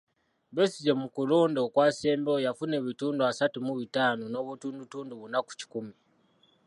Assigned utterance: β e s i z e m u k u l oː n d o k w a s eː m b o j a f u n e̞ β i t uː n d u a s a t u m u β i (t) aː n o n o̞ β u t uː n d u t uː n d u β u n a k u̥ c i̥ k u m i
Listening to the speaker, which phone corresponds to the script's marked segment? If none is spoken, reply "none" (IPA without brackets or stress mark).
t